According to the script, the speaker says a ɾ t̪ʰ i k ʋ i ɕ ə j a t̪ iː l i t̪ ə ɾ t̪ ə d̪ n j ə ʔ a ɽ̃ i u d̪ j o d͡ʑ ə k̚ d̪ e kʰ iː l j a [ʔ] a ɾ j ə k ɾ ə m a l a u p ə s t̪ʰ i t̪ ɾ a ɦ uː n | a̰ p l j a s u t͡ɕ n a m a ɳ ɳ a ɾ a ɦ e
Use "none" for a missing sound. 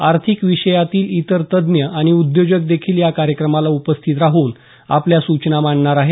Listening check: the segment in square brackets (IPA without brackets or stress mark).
k